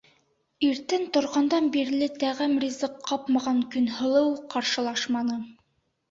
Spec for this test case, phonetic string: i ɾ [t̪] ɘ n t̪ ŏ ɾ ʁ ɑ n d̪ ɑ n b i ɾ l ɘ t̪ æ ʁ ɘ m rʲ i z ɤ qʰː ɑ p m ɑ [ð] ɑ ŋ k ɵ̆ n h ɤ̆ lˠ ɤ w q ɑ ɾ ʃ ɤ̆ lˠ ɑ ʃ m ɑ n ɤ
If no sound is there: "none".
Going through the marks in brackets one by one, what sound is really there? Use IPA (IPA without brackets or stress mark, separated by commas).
t̪, ʁ